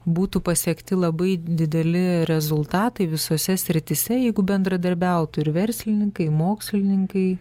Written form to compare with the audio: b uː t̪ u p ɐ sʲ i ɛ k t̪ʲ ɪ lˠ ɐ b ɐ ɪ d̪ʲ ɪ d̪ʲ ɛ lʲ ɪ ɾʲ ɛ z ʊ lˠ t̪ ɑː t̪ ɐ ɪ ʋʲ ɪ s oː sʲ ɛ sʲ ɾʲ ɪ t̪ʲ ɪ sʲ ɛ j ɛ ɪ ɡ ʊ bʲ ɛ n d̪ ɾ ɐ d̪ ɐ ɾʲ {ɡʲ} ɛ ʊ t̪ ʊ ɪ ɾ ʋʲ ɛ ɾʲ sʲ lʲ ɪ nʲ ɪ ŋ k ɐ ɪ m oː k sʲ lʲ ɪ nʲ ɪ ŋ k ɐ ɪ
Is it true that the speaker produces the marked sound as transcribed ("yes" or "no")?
no